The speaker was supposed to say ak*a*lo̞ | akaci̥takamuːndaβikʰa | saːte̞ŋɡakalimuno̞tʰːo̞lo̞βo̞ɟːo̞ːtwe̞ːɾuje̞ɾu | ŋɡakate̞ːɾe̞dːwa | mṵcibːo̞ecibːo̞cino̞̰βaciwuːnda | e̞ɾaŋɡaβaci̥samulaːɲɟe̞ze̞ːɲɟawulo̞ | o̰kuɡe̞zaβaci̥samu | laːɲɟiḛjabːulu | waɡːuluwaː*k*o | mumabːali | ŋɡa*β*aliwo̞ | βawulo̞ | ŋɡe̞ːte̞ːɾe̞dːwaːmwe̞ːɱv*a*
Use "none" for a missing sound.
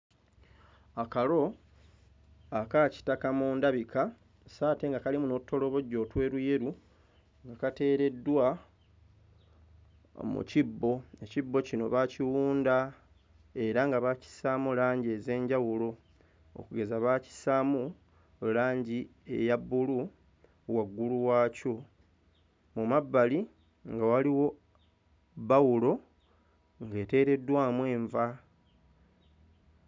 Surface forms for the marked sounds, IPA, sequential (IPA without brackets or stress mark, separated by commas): a, c, w, a